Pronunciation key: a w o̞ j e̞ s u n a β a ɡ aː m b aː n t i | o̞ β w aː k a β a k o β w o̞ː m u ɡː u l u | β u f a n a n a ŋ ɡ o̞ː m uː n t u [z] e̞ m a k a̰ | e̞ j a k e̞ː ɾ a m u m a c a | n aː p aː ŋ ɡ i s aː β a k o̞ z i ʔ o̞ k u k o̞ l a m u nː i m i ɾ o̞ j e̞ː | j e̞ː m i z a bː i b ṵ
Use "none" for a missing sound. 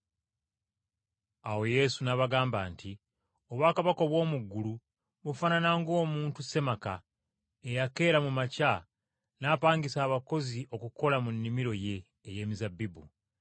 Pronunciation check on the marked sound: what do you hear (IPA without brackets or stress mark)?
s